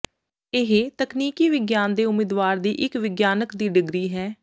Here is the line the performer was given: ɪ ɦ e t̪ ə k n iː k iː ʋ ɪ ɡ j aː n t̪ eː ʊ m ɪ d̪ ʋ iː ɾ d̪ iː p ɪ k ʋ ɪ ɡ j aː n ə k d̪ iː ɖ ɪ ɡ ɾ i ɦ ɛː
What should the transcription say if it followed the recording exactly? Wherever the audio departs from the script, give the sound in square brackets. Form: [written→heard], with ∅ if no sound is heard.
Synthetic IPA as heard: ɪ ɦ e t̪ ə k n iː k iː ʋ ɪ ɡ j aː n [t̪→d̪] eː ʊ m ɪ d̪ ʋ [iː→aː] ɾ d̪ iː [p→ʔ] ɪ k ʋ ɪ ɡ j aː n ə k d̪ iː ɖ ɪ ɡ ɾ [i→iː] ɦ ɛː

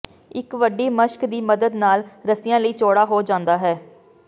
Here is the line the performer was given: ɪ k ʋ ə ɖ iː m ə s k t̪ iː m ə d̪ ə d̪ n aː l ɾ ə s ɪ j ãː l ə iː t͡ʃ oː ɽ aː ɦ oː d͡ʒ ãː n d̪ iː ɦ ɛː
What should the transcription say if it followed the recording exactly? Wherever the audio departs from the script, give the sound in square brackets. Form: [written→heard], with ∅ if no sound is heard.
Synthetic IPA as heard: ɪ k ʋ ə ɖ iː m ə [s→ʃ] k [t̪→d̪] iː m ə d̪ ə d̪ n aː l ɾ ə s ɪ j ãː l ə iː t͡ʃ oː ɽ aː ɦ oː d͡ʒ ãː n d̪ [iː→aː] ɦ ɛː

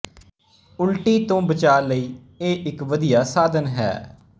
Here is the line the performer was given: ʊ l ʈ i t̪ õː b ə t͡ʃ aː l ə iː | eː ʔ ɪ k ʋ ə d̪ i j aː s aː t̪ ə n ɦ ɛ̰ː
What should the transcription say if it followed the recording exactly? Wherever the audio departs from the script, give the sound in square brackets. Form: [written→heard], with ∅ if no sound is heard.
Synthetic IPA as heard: ʊ l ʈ [i→iː] t̪ õː b ə t͡ʃ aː l ə iː | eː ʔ ɪ k ʋ ə d̪ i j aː s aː [t̪→d̪] ə n ɦ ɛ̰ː

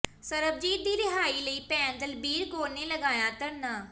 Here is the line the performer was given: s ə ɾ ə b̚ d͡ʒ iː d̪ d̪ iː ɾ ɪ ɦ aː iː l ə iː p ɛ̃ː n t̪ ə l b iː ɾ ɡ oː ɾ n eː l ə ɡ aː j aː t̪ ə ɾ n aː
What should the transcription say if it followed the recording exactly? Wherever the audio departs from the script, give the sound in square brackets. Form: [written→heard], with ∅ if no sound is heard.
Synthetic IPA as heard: s ə ɾ ə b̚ d͡ʒ iː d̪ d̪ iː ɾ ɪ ɦ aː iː l ə iː p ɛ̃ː n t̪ ə l b iː ɾ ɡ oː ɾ n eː l ə ɡ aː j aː t̪ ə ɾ n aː

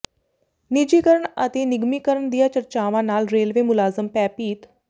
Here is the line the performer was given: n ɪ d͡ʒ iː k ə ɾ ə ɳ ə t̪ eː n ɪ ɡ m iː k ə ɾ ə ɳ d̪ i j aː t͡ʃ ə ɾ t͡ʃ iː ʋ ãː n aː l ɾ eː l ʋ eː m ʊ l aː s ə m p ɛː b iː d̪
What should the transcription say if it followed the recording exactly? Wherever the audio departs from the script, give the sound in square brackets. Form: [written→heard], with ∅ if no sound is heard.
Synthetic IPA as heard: n ɪ d͡ʒ iː k ə ɾ ə ɳ ə t̪ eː n ɪ ɡ m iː k ə ɾ ə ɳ d̪ i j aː t͡ʃ ə ɾ t͡ʃ [iː→aː] ʋ ãː n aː l ɾ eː l ʋ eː m ʊ l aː [s→z] ə m p ɛː [b→p] iː [d̪→t̪]

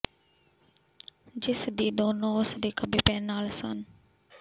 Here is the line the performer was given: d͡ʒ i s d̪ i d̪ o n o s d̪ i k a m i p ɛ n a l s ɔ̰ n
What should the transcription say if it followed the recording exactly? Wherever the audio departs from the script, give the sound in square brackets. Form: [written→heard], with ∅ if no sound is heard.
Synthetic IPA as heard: d͡ʒ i s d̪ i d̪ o n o s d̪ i k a [m→b] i p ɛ n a l s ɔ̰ n

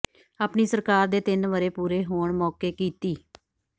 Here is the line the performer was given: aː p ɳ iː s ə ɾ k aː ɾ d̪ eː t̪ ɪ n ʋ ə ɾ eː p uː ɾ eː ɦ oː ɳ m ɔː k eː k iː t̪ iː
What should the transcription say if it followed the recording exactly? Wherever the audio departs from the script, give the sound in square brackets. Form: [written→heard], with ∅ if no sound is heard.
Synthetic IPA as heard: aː p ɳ iː s ə ɾ k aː ɾ d̪ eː t̪ ɪ n ʋ ə ɾ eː p uː ɾ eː ɦ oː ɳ m ɔː k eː k iː t̪ iː

